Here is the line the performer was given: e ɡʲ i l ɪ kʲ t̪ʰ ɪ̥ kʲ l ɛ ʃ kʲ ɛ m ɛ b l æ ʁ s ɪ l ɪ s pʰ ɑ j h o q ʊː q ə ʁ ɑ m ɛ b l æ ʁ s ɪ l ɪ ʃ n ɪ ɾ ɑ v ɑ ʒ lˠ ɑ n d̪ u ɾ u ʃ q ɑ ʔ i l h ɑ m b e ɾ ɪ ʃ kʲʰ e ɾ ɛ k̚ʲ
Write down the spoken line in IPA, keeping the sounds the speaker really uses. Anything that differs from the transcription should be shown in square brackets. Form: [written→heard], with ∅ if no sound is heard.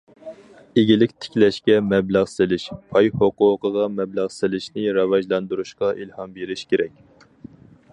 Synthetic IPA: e ɡʲ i l ɪ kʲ t̪ʰ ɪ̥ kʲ l ɛ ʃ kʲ ɛ m ɛ b l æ ʁ s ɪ l ɪ [s→ʃ] pʰ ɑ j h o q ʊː q ə ʁ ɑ m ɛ b l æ ʁ s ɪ l ɪ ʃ n ɪ ɾ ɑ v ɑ ʒ lˠ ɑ n d̪ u ɾ u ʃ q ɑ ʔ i l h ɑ m b e ɾ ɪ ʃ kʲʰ e ɾ ɛ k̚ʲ